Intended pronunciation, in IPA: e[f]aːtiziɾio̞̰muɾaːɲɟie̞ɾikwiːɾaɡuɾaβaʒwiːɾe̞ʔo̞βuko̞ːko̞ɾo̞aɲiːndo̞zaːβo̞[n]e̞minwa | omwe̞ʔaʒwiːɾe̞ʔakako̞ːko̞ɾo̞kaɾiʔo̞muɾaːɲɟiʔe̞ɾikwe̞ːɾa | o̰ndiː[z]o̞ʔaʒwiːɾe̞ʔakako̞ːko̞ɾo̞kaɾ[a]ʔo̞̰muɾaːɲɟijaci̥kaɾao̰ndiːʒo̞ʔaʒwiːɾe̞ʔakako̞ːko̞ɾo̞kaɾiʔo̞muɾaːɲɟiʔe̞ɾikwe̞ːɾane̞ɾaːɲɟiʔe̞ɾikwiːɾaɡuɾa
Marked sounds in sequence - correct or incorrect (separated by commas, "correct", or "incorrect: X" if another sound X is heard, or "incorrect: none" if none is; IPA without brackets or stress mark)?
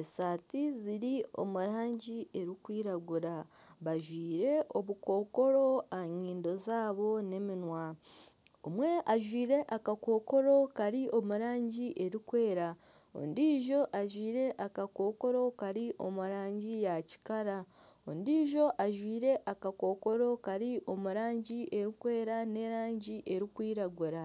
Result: incorrect: s, correct, incorrect: ʒ, incorrect: i